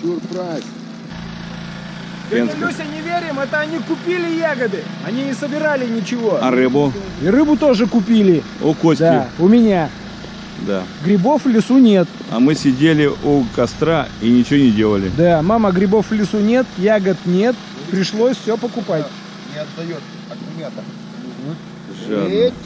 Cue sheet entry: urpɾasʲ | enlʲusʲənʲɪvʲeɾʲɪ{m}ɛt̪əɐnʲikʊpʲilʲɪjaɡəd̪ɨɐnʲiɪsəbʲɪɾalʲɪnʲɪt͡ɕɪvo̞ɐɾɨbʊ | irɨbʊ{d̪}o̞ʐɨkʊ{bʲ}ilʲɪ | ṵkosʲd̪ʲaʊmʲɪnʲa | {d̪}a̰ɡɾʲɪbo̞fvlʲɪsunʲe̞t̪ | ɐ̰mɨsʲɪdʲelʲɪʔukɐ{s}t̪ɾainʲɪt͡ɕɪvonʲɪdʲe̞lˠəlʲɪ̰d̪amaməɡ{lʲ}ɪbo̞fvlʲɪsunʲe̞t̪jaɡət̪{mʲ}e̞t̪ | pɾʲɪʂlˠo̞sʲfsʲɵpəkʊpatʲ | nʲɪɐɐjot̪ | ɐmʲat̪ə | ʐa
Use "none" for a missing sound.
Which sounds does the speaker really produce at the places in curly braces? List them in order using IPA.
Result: m, t̪, pʲ, d̪, s, ɾʲ, nʲ

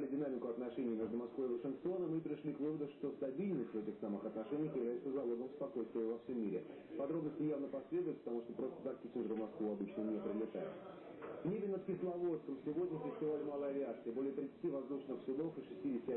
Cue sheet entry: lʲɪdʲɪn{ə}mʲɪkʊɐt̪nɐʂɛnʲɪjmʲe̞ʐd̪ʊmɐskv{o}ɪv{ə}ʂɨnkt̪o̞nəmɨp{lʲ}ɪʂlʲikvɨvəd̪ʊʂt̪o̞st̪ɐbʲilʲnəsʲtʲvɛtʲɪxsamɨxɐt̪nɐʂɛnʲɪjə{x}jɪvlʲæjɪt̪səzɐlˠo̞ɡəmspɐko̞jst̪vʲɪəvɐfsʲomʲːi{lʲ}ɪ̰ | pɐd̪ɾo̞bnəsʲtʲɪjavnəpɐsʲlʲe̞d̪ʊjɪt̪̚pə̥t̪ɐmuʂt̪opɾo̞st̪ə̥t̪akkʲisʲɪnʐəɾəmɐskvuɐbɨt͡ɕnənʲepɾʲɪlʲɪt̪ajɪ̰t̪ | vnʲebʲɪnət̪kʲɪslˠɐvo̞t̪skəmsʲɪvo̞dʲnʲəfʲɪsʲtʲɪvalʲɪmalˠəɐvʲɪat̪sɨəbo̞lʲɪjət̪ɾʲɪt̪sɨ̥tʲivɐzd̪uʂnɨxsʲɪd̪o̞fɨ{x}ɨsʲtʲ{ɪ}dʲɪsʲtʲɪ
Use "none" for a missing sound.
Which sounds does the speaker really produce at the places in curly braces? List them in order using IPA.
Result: a, o, ə, ɾʲ, x, ɾʲ, ʂ, i

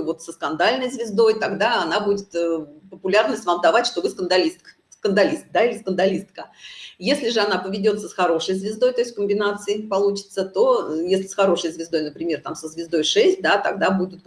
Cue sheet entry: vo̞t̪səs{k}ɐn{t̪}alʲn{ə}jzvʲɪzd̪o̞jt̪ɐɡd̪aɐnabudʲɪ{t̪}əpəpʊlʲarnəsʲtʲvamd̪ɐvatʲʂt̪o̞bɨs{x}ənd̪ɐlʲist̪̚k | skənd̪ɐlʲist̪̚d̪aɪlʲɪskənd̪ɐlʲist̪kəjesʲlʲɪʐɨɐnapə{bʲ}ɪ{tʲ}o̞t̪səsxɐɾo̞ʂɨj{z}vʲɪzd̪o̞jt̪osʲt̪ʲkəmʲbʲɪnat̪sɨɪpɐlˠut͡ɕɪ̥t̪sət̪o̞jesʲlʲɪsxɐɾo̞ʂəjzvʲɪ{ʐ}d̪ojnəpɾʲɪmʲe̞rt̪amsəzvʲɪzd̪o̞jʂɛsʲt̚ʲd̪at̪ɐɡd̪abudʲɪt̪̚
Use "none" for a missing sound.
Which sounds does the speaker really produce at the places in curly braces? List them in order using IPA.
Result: k, d̪, ə, t̪, k, vʲ, dʲ, z, z

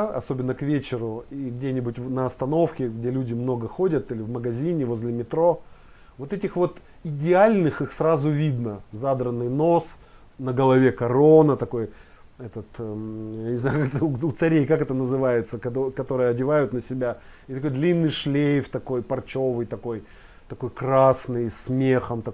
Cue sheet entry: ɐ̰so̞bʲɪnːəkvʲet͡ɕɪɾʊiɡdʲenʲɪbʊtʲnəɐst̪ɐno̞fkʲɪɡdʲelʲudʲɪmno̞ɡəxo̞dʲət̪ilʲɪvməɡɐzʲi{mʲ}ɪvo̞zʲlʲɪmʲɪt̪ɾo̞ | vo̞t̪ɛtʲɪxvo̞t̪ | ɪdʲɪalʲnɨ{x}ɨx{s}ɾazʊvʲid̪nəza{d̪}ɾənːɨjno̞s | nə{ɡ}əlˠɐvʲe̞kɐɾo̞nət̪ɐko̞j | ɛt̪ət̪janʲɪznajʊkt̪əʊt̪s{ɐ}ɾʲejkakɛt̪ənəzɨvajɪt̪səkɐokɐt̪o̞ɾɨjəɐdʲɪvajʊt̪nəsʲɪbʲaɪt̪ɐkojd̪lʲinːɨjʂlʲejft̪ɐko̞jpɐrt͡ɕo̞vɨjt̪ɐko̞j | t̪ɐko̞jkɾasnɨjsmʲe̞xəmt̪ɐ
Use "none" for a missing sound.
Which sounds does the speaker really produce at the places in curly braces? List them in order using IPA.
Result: nʲ, x, s, d̪, ɡ, ɐ

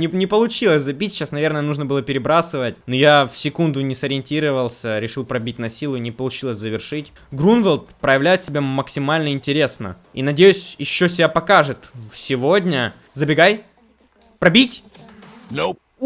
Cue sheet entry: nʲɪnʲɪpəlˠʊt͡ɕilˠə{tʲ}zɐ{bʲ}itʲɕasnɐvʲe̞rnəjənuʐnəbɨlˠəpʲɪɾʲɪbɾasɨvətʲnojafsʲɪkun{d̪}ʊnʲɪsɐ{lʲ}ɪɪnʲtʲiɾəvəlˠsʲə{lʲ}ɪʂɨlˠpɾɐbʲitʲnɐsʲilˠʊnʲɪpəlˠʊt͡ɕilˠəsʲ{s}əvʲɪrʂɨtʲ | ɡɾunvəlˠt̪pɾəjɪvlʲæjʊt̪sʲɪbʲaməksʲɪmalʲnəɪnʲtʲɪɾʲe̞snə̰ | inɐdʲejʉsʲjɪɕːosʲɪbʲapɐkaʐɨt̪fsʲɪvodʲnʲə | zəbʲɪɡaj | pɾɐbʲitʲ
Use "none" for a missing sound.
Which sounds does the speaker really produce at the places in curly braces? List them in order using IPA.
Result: sʲ, bʲ, d̪, ɾʲ, ɾʲ, z

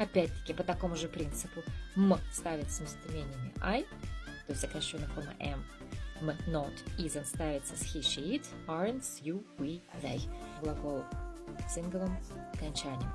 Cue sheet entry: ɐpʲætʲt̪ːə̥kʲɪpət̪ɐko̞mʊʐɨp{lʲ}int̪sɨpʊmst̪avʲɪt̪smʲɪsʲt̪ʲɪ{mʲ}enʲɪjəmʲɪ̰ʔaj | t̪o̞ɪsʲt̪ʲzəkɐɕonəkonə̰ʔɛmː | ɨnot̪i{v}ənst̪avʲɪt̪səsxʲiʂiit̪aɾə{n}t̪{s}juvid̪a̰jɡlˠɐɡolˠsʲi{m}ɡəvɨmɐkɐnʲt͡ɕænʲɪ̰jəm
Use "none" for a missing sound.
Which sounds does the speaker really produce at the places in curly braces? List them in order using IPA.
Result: ɾʲ, mʲ, z, n, s, n

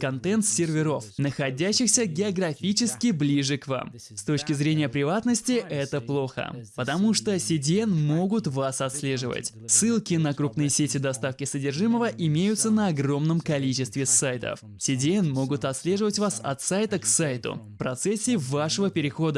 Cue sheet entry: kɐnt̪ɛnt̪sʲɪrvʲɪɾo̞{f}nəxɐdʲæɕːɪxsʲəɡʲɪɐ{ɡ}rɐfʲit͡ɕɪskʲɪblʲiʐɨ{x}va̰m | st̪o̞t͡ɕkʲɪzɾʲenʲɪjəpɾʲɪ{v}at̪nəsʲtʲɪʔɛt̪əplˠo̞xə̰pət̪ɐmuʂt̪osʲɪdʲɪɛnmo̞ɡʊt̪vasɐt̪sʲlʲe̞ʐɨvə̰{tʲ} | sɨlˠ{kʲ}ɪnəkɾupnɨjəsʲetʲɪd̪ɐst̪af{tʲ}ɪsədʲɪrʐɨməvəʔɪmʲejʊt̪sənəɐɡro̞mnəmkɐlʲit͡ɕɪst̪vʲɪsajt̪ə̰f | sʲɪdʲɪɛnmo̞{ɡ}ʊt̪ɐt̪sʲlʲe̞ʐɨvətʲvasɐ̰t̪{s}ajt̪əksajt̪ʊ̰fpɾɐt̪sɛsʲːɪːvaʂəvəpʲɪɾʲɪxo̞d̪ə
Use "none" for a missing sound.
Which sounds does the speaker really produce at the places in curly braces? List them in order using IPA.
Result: f, ɡ, k, v, tʲ, kʲ, kʲ, ɡ, s

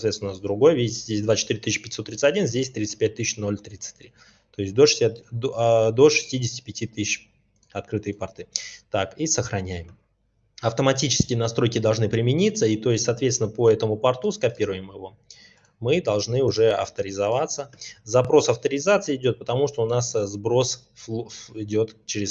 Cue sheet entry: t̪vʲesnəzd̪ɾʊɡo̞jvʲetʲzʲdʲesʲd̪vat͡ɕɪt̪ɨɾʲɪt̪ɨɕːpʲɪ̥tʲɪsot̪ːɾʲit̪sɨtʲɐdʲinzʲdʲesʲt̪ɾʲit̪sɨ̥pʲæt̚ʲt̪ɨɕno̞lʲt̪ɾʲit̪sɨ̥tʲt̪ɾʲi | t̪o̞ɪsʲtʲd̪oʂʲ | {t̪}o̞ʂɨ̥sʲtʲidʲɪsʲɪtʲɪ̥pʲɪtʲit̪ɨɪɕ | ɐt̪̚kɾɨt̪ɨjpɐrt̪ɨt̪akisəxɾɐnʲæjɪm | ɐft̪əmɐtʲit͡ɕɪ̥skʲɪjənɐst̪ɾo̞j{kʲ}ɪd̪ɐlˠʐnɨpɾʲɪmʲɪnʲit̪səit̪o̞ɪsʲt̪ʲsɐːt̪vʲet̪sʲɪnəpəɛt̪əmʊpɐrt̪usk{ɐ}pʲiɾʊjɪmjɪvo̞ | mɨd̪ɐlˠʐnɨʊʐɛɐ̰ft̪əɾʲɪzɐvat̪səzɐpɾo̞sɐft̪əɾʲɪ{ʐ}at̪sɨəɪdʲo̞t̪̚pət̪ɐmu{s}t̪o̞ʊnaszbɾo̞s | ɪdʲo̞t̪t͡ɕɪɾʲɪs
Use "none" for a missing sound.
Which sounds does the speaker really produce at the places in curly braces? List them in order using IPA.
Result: d̪, kʲ, ɐ, z, ʂ

